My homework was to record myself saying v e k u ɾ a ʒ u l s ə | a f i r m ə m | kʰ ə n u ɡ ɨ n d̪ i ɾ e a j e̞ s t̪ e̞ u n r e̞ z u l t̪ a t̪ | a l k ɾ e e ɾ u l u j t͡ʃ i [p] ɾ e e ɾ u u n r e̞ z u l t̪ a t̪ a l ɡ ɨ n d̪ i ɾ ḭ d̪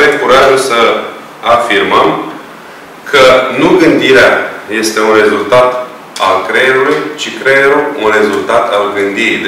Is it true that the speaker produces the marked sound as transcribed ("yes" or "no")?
no